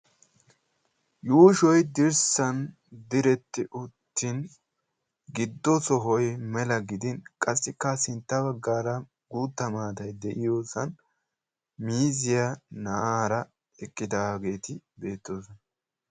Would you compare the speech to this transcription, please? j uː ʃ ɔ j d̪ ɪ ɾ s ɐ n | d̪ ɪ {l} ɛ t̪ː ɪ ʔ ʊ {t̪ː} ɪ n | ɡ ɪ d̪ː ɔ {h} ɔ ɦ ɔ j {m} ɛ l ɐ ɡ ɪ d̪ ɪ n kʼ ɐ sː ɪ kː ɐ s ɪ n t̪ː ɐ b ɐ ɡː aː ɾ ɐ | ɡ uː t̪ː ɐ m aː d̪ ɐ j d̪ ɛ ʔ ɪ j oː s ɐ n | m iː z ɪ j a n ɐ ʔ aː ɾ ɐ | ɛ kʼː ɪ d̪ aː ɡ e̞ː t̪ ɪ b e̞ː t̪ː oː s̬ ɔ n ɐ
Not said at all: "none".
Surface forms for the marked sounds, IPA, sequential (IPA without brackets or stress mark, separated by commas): ɾ, t̪ː, s, m